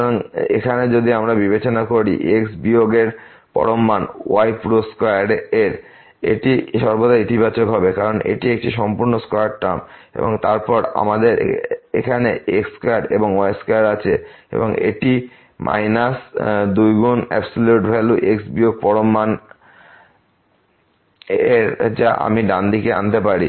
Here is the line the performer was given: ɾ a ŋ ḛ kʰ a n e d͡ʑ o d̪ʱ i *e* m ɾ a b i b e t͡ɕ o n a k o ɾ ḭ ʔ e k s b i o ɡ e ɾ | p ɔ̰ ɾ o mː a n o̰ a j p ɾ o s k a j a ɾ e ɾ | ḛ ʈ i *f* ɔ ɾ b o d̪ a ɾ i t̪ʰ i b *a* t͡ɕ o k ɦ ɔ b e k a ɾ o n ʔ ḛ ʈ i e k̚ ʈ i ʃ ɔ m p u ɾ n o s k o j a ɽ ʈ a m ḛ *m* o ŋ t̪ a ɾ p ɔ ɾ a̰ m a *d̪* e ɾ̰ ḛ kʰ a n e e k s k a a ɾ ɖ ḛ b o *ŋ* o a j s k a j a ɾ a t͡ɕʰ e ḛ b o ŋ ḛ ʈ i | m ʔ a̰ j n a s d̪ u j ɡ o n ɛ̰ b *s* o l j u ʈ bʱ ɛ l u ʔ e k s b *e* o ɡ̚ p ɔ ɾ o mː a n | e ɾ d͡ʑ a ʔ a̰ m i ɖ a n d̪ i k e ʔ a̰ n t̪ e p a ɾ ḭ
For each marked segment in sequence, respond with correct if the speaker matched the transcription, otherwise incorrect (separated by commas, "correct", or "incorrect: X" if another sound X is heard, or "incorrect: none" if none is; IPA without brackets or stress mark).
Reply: incorrect: a, incorrect: ʃ, correct, incorrect: b, correct, correct, correct, incorrect: i